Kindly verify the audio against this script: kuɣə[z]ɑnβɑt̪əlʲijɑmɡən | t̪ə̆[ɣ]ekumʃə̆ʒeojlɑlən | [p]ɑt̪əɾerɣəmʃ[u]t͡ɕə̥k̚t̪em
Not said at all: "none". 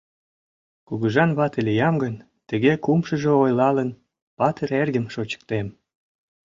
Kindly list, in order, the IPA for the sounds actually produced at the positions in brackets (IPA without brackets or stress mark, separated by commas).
ʒ, ɣ, p, o